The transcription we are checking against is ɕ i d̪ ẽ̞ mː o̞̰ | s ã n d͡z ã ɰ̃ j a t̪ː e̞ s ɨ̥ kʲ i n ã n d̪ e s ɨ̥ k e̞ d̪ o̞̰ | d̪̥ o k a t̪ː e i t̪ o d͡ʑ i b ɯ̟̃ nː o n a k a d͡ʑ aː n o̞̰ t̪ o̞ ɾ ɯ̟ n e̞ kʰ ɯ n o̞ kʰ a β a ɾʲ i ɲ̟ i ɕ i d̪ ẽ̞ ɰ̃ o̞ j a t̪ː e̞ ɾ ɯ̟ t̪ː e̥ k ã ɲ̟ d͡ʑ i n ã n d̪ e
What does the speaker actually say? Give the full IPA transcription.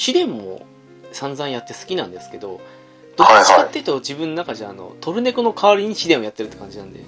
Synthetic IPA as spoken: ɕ i d̪ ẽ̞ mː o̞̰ | s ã n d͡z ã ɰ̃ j a t̪ː e̞ s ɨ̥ kʲ i n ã n d̪ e s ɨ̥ k e̞ d̪ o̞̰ | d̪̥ o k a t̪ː e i t̪ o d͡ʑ i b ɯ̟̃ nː o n a k a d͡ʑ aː n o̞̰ t̪ o̞ ɾ ɯ̟ n e̞ k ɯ n o̞ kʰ a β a ɾʲ i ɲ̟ i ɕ i d̪ ẽ̞ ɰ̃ o̞ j a t̪ː e̞ ɾ ɯ̟ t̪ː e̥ k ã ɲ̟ d͡ʑ i n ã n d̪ e